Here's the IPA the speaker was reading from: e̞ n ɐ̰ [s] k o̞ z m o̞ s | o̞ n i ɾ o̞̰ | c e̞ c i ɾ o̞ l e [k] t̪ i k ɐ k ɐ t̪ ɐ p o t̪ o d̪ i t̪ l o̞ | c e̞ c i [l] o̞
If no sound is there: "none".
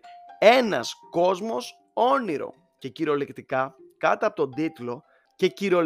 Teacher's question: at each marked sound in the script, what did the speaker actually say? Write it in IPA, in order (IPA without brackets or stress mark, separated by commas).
s, k, ɾ